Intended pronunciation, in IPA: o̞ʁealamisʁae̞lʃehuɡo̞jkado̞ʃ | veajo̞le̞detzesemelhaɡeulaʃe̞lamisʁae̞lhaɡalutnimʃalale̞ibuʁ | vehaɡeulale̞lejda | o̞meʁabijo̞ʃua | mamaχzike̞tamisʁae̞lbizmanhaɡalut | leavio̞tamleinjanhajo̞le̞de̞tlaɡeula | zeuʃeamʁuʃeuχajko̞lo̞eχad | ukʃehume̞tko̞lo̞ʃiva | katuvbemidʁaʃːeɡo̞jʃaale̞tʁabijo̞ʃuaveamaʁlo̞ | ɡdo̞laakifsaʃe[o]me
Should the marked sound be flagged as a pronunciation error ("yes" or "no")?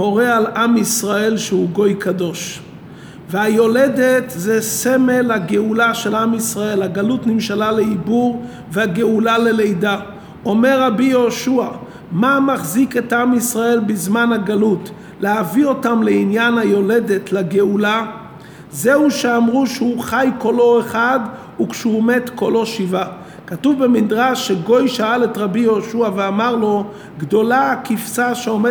no